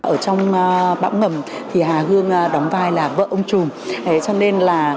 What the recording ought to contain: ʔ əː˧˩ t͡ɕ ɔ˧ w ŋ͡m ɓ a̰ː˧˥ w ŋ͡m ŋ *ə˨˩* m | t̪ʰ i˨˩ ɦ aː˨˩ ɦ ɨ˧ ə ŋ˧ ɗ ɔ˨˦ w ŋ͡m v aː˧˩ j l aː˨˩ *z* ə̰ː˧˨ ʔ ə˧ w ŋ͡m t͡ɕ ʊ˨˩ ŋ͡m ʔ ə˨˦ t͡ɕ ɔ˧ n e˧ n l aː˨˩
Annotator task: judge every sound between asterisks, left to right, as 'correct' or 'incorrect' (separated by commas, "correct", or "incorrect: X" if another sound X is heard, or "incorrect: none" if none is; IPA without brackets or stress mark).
correct, incorrect: v